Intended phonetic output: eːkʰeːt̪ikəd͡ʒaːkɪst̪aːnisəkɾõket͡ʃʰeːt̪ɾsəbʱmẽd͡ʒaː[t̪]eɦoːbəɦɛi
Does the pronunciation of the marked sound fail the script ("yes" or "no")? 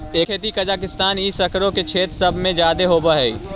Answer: yes